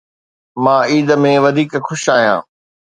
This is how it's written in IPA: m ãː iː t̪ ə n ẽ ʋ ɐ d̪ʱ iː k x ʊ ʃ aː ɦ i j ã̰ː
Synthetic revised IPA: m ãː iː d̪ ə m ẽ ʋ ɐ d̪ʱ iː k x ʊ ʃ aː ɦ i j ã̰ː